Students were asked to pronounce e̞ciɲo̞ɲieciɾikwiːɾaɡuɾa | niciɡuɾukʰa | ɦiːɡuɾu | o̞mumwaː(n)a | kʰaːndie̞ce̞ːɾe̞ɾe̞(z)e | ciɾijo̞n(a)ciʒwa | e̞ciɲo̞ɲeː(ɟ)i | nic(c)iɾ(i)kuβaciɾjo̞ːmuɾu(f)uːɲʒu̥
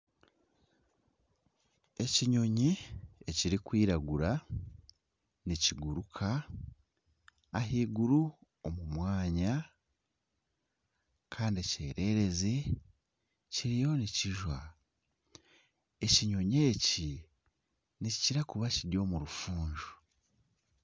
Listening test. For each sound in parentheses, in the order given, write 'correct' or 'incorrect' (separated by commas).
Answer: incorrect, correct, incorrect, incorrect, correct, incorrect, correct